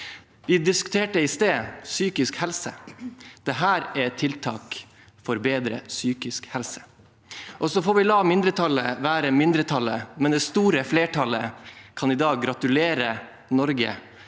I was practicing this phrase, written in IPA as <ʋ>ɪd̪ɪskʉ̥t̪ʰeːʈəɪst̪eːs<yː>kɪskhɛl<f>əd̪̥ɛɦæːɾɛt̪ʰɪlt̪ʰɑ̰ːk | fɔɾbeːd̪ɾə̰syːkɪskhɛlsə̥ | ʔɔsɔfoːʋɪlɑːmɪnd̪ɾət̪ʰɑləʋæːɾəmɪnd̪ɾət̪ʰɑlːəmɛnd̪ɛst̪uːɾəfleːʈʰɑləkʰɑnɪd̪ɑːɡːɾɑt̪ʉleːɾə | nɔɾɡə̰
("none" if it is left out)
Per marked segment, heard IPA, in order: ʋ, yː, s

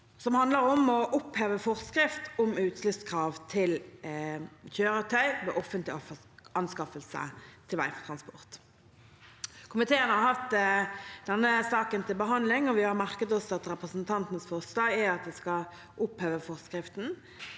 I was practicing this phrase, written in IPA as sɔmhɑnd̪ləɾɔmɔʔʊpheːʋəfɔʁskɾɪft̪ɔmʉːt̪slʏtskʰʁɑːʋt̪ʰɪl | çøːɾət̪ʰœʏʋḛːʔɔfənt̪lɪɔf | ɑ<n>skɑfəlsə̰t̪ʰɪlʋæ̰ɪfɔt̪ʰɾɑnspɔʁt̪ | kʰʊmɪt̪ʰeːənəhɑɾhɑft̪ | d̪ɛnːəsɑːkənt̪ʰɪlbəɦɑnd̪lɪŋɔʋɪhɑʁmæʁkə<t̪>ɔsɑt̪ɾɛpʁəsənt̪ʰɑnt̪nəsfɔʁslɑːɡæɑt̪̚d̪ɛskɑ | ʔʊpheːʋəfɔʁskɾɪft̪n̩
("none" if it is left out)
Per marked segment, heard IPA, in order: n, t̪

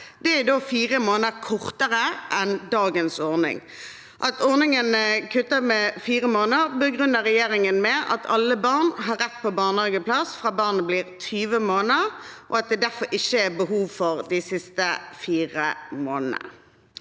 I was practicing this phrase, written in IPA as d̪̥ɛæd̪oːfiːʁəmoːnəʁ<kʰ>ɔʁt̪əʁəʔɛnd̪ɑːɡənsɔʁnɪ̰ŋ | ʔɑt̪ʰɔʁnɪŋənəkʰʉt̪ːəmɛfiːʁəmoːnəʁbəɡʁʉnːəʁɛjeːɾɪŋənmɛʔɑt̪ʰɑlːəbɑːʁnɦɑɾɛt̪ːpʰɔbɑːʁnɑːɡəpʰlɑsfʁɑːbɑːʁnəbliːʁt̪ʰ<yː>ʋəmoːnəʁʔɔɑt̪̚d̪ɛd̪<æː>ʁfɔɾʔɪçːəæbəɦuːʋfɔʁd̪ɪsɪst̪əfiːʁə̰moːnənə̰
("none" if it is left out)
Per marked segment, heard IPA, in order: kʰ, yː, æ

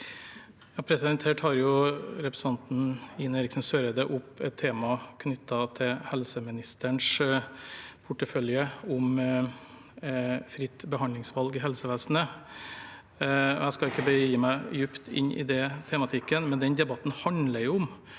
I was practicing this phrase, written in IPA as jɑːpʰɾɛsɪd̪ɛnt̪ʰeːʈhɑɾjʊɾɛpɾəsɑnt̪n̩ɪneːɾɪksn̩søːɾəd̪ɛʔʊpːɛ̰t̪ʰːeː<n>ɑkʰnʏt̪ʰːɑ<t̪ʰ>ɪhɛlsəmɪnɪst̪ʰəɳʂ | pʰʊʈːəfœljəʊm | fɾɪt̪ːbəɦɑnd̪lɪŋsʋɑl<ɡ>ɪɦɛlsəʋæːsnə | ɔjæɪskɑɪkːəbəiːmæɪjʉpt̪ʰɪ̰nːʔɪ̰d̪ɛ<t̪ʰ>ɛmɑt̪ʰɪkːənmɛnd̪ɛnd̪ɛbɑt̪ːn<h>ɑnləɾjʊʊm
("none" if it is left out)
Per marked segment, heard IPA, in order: m, t̪ʰ, ɡ, t̪ʰ, h

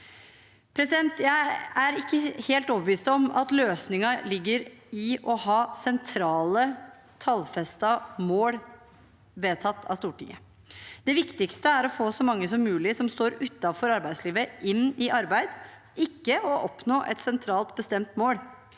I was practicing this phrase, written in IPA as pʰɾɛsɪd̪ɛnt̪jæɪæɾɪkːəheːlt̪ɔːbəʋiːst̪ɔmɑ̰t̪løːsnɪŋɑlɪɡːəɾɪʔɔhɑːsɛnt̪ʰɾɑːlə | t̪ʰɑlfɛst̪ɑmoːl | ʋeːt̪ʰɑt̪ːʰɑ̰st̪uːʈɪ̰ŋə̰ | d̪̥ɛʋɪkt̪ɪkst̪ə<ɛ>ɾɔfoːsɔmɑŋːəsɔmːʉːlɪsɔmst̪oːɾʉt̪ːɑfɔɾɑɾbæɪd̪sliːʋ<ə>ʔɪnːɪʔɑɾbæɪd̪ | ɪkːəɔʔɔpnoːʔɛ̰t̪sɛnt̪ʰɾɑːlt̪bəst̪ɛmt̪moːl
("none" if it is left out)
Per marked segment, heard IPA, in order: æ, ə

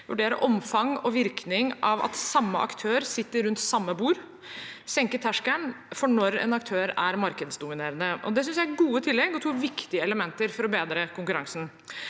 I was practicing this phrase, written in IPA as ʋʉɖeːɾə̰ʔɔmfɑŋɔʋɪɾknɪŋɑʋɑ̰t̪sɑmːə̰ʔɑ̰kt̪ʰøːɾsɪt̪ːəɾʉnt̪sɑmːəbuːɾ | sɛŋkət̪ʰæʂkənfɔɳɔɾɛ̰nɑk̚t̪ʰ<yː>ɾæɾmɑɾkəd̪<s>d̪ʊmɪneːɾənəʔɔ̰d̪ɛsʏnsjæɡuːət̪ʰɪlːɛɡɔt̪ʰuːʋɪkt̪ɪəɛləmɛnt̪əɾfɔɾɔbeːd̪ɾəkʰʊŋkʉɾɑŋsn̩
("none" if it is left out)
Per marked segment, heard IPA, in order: øː, s

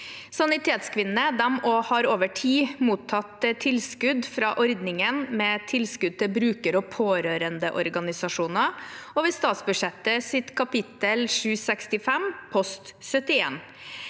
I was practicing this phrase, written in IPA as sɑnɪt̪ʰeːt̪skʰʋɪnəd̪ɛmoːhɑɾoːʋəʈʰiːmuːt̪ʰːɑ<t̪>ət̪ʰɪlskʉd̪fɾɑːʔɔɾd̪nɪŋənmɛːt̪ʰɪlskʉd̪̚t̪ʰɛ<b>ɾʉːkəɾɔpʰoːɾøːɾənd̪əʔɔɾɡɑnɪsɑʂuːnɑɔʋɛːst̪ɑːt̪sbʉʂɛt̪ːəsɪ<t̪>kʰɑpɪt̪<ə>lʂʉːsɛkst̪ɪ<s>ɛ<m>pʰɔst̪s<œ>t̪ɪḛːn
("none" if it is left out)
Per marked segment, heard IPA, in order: t̪, b, t̪, ə, f, m, œ

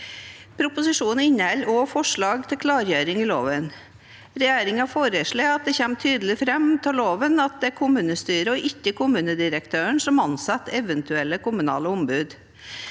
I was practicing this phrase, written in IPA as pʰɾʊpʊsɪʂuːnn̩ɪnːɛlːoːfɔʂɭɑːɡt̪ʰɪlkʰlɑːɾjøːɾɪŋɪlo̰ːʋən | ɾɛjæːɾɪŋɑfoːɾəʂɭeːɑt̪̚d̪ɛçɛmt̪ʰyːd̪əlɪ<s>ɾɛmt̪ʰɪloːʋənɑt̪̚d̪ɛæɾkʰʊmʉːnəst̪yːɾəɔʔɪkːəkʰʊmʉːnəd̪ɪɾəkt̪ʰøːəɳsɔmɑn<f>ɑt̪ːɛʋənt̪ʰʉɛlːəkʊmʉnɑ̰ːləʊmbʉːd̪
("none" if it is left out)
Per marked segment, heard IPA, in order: f, s

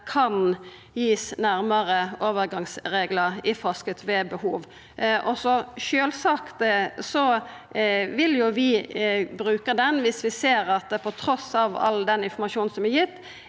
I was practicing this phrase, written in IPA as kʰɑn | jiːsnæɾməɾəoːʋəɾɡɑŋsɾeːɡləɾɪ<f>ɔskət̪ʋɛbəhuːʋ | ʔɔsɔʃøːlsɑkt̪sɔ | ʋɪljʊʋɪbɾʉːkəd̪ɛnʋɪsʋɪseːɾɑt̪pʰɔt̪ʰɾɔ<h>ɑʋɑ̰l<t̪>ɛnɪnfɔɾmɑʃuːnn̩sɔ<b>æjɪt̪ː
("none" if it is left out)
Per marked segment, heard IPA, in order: f, s, d̪, m

